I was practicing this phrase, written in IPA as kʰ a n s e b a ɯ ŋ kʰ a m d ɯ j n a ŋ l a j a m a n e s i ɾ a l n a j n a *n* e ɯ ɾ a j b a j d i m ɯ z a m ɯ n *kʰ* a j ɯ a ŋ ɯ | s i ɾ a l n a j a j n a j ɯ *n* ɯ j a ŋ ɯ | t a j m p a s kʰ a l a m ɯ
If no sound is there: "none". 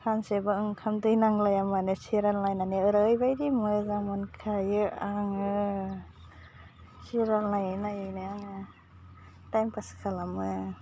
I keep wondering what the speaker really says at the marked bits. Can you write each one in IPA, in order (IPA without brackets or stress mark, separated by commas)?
n, kʰ, n